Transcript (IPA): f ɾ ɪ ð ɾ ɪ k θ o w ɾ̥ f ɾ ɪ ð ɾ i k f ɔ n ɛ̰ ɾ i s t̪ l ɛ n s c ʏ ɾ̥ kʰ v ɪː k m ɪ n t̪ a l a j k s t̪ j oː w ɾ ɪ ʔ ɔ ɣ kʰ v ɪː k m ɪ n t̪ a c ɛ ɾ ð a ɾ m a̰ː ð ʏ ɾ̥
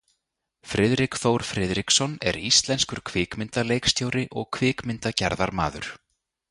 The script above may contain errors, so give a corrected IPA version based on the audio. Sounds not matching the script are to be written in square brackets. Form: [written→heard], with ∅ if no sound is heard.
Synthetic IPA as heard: f ɾ ɪ ð ɾ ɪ k θ o w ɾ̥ f ɾ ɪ ð ɾ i k [f→s] ɔ n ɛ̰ ɾ i s t̪ l ɛ n s [c→k] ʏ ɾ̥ kʰ v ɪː k m ɪ n t̪ a l [a→e] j k s t̪ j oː w ɾ ɪ ʔ ɔ ɣ kʰ v ɪː k m ɪ n t̪ a c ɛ ɾ ð a ɾ m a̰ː ð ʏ ɾ̥